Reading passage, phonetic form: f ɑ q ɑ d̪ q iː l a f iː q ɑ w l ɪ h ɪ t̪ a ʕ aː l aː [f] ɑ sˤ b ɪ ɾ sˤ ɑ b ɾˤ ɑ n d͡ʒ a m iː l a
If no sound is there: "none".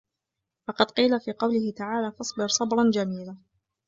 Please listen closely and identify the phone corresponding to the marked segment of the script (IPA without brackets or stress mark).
f